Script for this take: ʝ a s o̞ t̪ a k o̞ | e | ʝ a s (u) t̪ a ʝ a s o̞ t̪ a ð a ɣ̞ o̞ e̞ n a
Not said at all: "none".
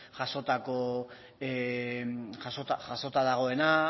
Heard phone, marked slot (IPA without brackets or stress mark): o